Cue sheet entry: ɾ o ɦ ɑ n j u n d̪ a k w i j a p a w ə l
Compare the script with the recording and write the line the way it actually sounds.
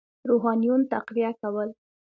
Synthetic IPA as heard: ɾ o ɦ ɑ n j u n t̪ a q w i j a k a w ə l